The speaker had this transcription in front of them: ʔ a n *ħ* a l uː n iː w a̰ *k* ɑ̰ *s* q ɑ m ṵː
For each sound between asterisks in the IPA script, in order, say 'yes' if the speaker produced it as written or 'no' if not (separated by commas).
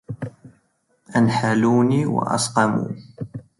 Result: yes, no, yes